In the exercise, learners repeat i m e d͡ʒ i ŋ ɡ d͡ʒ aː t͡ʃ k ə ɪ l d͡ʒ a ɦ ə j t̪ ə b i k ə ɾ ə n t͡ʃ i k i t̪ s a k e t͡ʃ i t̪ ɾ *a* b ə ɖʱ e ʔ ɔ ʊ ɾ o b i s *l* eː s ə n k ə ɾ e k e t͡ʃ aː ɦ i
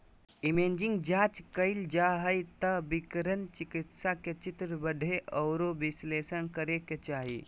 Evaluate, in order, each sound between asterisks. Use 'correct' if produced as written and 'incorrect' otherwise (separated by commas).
incorrect, correct